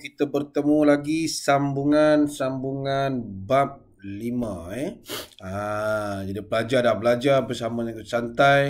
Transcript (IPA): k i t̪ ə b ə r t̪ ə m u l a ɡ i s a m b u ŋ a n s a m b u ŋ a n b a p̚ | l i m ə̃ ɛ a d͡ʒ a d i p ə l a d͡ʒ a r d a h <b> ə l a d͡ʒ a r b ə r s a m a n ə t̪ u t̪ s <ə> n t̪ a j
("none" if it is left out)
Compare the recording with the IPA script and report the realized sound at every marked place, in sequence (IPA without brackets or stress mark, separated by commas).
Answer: b, a